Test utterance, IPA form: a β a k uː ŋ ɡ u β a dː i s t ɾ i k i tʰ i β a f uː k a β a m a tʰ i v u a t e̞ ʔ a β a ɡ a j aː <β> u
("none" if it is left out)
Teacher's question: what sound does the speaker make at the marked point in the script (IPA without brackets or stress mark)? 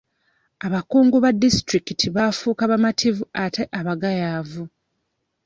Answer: v